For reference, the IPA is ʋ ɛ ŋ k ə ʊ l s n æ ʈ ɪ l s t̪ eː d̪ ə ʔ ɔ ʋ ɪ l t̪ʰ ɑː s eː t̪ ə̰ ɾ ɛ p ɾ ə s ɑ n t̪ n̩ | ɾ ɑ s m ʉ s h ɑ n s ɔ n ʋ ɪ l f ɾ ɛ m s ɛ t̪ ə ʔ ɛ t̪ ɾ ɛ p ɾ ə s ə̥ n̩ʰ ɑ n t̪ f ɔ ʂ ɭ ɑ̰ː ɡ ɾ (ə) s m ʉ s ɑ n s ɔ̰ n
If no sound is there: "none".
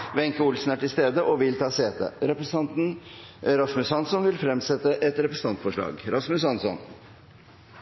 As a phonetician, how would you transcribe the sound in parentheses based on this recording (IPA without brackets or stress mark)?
ɑ